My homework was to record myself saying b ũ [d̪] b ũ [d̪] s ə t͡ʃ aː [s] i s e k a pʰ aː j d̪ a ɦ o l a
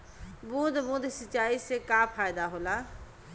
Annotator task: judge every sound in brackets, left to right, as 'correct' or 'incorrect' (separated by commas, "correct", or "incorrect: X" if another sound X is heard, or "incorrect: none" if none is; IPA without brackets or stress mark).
correct, correct, incorrect: none